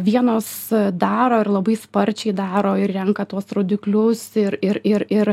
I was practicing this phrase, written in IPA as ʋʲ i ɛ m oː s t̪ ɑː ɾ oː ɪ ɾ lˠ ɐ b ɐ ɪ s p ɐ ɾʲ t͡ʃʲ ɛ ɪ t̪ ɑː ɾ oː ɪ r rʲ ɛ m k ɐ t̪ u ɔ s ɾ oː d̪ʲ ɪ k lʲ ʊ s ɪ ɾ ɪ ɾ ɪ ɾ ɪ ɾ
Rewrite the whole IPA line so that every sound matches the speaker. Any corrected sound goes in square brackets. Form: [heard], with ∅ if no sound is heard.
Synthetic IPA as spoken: ʋʲ i ɛ [n] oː s [d̪] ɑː ɾ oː ɪ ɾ lˠ ɐ b ɐ ɪ s p ɐ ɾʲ t͡ʃʲ ɛ ɪ [d̪] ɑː ɾ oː ɪ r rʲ ɛ [ŋ] k ɐ t̪ u ɔ s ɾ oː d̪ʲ ɪ k lʲ ʊ s ɪ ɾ ɪ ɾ ɪ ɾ ɪ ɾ